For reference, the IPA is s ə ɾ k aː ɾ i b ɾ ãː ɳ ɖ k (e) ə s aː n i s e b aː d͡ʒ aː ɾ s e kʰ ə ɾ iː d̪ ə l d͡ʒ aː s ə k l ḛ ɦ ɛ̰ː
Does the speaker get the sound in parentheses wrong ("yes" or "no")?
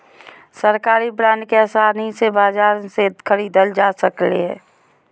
no